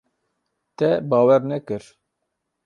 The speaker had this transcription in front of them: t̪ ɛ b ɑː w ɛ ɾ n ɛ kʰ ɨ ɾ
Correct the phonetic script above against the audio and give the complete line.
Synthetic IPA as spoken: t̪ ɛ b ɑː w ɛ ɾ n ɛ k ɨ ɾ